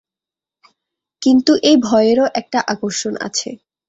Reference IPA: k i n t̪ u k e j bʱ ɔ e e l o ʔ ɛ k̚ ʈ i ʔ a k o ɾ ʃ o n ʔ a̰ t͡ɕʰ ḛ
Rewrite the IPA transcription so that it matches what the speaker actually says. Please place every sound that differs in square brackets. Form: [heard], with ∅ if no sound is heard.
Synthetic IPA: k i n t̪ u [ʔ] e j bʱ ɔ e e [ɾ] o ʔ ɛ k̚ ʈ [a] ʔ a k o ɾ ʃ o n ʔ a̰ t͡ɕʰ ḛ